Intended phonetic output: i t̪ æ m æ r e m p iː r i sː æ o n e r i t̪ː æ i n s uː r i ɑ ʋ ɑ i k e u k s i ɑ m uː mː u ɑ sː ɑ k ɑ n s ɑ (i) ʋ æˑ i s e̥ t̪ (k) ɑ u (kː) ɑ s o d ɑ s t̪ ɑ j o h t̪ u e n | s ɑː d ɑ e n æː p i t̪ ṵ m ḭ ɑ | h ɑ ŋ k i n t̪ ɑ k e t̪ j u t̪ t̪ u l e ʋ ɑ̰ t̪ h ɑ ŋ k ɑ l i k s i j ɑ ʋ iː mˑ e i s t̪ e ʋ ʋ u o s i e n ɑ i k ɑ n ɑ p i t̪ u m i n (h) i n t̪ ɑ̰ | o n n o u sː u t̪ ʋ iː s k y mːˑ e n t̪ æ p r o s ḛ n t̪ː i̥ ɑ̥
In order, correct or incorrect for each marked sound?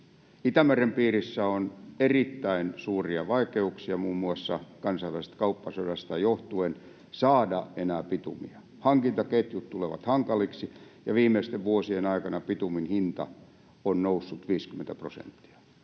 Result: correct, correct, incorrect: pː, correct

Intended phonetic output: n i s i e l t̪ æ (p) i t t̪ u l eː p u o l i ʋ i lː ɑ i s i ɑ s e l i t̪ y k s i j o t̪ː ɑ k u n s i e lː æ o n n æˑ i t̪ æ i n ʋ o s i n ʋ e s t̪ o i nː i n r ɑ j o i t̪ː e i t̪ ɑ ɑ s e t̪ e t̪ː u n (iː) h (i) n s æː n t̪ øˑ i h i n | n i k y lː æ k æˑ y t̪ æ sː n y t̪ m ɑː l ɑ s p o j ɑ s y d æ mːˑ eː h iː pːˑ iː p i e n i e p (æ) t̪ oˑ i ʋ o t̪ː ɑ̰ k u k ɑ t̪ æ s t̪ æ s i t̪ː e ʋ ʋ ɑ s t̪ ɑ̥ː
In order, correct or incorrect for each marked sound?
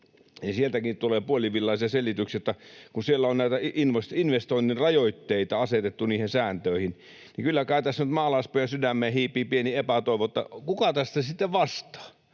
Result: incorrect: k, correct, incorrect: e, correct

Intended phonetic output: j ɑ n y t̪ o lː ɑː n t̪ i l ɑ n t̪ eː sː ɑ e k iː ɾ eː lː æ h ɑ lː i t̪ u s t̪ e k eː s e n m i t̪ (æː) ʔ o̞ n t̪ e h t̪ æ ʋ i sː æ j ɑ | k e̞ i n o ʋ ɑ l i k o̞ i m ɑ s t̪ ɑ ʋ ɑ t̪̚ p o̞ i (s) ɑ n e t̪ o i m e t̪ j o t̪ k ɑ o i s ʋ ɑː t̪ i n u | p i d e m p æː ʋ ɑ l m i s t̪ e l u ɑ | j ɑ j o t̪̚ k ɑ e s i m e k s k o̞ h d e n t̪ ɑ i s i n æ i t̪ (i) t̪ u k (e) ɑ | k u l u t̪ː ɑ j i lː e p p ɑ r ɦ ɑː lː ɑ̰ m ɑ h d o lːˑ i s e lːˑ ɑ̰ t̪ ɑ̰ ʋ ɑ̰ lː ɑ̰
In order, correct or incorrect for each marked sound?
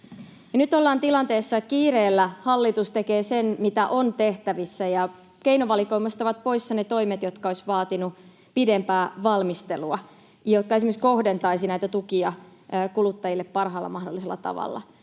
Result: incorrect: æ, incorrect: sː, incorrect: æ, incorrect: i

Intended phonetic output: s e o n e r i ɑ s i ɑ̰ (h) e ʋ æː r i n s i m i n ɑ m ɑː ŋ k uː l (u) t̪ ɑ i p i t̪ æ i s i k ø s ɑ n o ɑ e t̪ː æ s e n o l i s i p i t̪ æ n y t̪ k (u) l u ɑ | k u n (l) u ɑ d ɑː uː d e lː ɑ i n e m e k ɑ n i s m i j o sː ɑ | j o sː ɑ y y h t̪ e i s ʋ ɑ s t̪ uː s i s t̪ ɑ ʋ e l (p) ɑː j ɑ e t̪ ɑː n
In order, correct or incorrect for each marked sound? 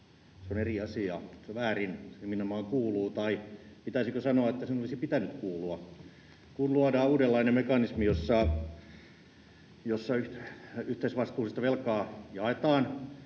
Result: incorrect: s, incorrect: uː, incorrect: uː, correct, incorrect: k

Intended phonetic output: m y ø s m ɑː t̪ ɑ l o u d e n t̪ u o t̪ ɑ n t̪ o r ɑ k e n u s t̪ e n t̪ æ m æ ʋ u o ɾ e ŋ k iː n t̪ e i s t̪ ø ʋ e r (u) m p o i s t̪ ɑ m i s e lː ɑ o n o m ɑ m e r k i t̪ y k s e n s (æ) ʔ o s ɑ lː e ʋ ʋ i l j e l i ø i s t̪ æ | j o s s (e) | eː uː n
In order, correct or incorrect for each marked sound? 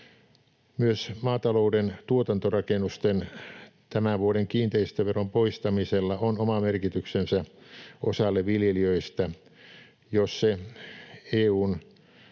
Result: incorrect: o, correct, correct

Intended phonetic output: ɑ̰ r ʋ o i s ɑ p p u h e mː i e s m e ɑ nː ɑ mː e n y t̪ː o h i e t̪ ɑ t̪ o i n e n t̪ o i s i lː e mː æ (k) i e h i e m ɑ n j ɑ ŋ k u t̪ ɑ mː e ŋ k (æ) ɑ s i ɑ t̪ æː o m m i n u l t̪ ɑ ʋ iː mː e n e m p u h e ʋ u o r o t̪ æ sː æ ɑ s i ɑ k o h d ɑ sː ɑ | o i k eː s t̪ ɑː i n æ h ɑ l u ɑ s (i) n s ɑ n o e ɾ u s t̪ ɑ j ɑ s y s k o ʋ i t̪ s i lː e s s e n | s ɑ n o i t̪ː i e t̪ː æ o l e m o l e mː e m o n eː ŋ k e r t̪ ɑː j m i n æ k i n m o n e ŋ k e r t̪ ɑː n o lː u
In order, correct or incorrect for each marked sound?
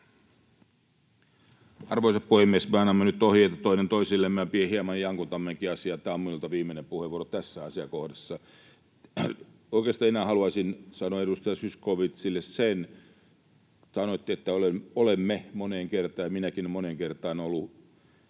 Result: incorrect: p, incorrect: i, correct

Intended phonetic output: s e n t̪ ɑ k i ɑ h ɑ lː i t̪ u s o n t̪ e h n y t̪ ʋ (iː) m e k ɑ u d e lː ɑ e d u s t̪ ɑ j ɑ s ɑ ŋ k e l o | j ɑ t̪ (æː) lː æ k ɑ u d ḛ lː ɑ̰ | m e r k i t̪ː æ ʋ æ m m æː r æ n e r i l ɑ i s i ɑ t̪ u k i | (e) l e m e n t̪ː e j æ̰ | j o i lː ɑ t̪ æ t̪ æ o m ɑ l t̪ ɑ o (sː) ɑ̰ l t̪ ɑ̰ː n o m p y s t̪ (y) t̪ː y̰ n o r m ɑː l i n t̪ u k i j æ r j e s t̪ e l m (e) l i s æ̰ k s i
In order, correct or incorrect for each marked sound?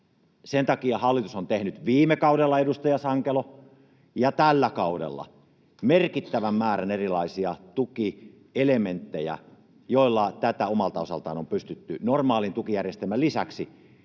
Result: correct, incorrect: æ, correct, incorrect: s, correct, incorrect: æ

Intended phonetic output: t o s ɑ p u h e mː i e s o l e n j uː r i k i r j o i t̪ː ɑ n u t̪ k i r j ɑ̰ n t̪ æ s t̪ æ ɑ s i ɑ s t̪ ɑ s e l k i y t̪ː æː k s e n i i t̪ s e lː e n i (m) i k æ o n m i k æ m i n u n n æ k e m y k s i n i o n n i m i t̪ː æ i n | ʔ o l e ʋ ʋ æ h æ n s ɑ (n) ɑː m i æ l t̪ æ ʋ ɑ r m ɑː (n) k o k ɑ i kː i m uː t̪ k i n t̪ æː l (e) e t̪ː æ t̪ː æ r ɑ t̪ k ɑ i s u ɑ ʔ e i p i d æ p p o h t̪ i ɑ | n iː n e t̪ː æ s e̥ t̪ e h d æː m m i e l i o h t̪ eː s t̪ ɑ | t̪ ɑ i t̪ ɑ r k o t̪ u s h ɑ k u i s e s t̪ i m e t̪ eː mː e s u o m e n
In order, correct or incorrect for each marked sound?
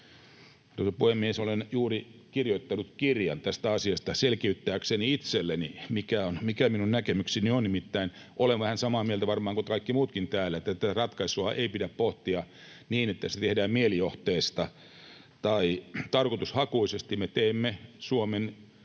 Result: correct, incorrect: m, incorrect: ŋ, incorrect: æ

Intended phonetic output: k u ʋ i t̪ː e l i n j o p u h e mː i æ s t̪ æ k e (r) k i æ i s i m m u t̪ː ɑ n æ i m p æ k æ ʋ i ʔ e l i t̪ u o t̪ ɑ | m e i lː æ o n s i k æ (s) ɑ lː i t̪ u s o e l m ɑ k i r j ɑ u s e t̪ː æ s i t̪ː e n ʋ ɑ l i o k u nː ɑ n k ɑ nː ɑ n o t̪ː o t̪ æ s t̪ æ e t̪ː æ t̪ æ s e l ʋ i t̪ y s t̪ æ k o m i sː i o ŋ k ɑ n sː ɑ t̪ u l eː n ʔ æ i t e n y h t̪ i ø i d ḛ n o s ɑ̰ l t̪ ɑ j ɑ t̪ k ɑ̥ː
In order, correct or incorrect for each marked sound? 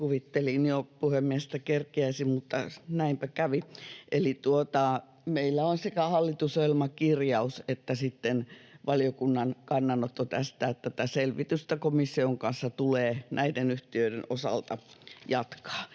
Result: correct, incorrect: h

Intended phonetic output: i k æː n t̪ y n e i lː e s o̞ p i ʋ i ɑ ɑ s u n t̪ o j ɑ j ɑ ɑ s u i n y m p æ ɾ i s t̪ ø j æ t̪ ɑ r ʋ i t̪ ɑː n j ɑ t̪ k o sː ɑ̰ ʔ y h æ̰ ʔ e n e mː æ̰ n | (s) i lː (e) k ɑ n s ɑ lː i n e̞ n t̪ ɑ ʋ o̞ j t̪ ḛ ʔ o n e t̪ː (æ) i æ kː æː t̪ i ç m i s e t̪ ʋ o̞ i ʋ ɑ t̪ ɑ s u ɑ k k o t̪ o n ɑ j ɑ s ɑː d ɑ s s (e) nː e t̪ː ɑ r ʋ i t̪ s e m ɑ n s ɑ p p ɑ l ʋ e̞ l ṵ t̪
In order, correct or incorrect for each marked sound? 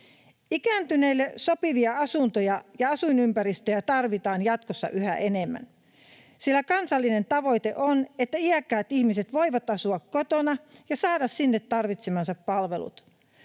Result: correct, incorrect: æ, correct, incorrect: i

